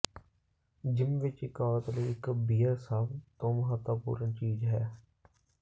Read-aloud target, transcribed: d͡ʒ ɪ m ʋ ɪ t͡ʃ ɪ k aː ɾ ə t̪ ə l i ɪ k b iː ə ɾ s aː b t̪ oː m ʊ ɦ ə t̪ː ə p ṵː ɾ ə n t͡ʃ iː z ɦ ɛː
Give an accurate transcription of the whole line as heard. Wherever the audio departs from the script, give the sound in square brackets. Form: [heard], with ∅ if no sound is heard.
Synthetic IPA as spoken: d͡ʒ ɪ m ʋ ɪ t͡ʃ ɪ k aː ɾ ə t̪ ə l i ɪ k b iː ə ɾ s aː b t̪ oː m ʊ ɦ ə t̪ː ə p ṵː ɾ ə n t͡ʃ iː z ɦ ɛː

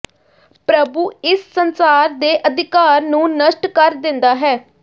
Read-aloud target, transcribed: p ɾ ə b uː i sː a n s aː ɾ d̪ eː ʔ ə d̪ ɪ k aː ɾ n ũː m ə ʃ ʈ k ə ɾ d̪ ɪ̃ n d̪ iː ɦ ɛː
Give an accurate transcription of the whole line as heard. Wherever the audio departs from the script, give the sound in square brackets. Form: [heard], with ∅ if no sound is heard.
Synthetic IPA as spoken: p ɾ ə b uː [ɪ] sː [ə] n s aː ɾ d̪ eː ʔ ə d̪ ɪ k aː ɾ n ũː [n] ə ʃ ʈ k ə ɾ d̪ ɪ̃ n d̪ [aː] ɦ ɛː

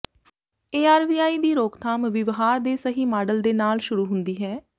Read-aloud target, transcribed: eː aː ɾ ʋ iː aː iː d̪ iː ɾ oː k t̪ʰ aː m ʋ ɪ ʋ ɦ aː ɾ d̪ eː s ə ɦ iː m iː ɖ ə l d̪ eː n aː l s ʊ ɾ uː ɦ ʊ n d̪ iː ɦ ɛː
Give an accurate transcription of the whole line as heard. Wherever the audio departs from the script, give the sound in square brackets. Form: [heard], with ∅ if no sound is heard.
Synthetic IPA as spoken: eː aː ɾ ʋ iː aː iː d̪ iː ɾ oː k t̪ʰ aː m ʋ ɪ ʋ ɦ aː ɾ d̪ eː s ə ɦ iː m [aː] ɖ ə l d̪ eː n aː l [ʃ] ʊ ɾ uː ɦ ʊ n d̪ iː ɦ ɛː

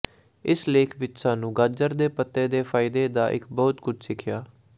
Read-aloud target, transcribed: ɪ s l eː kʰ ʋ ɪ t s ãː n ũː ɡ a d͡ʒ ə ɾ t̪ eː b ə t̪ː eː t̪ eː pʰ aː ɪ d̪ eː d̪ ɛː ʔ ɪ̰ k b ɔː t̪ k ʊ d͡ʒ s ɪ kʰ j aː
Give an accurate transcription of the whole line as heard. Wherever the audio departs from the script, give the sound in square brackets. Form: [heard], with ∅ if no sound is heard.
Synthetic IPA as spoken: ɪ s l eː kʰ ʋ ɪ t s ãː n ũː ɡ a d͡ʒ ə ɾ [d̪] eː [p] ə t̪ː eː [d̪] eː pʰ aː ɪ d̪ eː d̪ [aː] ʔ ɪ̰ k b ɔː t̪ k ʊ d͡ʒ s ɪ kʰ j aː

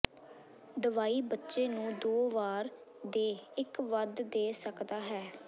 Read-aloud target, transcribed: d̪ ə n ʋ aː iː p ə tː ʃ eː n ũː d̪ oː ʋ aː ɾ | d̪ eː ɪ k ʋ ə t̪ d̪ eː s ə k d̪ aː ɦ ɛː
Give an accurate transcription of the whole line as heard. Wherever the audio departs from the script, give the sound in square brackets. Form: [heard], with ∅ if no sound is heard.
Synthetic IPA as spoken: d̪ ə [∅] ʋ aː iː [b] ə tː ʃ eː n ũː d̪ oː ʋ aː ɾ | d̪ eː ɪ k ʋ ə [d̪] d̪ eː s ə k d̪ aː ɦ ɛː

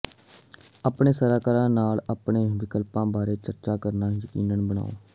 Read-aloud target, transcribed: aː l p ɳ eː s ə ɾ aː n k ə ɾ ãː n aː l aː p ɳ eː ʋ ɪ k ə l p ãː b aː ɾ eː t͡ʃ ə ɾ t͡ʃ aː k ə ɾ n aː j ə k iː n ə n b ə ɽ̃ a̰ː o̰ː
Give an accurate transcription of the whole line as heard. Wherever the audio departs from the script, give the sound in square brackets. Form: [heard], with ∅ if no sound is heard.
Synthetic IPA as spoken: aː [∅] p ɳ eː s ə ɾ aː [∅] k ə ɾ ãː n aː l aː p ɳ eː ʋ ɪ k ə l p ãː b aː ɾ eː t͡ʃ ə ɾ t͡ʃ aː k ə ɾ n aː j ə k iː n ə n b ə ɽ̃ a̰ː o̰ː

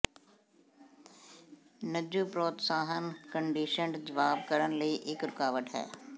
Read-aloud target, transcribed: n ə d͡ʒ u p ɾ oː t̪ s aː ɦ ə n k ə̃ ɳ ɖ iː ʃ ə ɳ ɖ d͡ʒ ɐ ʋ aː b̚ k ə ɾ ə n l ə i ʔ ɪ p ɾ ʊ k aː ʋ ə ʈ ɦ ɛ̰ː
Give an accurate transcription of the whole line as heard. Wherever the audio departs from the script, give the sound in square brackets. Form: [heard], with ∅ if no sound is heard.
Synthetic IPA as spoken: n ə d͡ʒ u p ɾ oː t̪ s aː ɦ ə n k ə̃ ɳ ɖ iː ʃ ə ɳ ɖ d͡ʒ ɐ ʋ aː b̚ k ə ɾ ə n l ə i ʔ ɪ [k] ɾ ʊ k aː ʋ ə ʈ ɦ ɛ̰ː

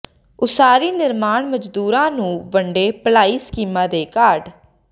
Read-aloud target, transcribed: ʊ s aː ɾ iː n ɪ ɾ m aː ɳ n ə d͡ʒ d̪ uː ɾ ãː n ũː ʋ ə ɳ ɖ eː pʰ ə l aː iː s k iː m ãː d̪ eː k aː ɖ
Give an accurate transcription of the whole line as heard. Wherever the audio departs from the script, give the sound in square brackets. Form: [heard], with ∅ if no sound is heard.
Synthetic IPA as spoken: ʊ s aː ɾ iː n ɪ ɾ m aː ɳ [m] ə d͡ʒ d̪ uː ɾ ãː n ũː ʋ ə ɳ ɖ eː [p] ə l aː iː s k iː m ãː d̪ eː k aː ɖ

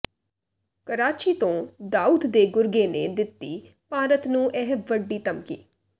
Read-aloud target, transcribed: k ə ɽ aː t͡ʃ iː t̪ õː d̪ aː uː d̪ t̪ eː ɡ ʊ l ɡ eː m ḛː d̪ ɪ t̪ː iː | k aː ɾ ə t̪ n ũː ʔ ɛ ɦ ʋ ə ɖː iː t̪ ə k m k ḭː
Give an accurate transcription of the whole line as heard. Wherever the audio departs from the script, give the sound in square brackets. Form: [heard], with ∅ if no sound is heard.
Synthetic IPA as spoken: k ə [ɾ] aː t͡ʃ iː t̪ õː d̪ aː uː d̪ [d̪] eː ɡ ʊ [ɾ] ɡ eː [n] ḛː d̪ ɪ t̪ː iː | [p] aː ɾ ə t̪ n ũː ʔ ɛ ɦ ʋ ə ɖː iː t̪ ə [∅] m k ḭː

